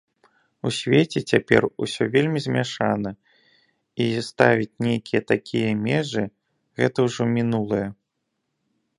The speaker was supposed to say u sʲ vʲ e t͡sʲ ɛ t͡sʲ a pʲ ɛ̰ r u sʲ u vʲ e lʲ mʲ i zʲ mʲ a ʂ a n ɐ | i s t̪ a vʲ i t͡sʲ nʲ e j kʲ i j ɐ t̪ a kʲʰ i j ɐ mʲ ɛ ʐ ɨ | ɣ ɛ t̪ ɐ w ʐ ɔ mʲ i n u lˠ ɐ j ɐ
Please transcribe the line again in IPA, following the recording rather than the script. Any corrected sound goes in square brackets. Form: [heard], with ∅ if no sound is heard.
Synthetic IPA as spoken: u sʲ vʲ e t͡sʲ ɛ t͡sʲ a pʲ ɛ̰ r u sʲ [ɔ] vʲ e lʲ mʲ i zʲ mʲ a ʂ a n ɐ | i s t̪ a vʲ i t͡sʲ nʲ e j kʲ i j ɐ t̪ a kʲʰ i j ɐ mʲ ɛ ʐ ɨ | ɣ ɛ t̪ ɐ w ʐ ɔ mʲ i n u lˠ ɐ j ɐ